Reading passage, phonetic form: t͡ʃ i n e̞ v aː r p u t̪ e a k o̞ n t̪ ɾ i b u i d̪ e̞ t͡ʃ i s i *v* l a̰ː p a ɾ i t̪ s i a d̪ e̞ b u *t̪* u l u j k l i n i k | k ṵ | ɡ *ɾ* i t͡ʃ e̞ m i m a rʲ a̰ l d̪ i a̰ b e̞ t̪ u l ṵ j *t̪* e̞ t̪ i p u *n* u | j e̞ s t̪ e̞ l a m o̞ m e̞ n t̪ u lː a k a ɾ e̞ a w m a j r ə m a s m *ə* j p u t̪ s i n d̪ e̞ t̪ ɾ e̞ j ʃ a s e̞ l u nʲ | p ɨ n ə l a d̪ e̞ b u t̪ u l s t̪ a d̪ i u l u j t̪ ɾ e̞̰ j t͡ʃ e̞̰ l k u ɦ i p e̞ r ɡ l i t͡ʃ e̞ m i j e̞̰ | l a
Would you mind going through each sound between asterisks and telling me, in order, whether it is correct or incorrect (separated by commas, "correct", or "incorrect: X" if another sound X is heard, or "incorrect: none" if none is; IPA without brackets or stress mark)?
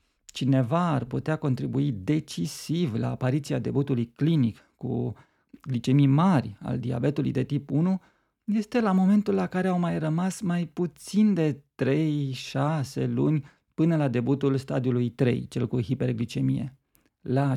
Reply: correct, correct, incorrect: l, incorrect: d̪, correct, incorrect: a